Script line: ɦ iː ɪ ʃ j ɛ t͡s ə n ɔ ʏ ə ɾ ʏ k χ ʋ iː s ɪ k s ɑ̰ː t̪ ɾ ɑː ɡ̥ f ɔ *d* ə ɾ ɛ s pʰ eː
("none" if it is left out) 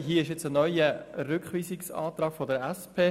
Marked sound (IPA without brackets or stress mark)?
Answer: d